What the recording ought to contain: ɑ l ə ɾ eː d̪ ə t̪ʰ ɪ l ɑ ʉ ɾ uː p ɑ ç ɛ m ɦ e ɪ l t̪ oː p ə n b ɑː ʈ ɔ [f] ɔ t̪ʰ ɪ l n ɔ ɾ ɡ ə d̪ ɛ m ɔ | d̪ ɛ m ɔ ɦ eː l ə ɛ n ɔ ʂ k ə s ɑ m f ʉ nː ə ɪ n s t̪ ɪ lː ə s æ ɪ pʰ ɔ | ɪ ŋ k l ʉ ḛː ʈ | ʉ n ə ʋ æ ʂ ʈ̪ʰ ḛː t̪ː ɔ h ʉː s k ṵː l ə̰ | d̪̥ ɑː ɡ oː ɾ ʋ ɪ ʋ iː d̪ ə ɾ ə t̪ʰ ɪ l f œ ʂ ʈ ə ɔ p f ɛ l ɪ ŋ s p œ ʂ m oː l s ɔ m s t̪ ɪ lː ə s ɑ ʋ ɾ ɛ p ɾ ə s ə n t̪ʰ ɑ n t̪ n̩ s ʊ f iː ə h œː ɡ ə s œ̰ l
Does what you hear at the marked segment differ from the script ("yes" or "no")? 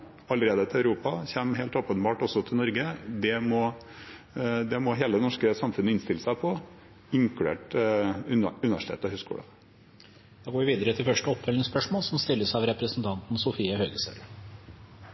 yes